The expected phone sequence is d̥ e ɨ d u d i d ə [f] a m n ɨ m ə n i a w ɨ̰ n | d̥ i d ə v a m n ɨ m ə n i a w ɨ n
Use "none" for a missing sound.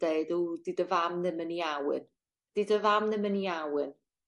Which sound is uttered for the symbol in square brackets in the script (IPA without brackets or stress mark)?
v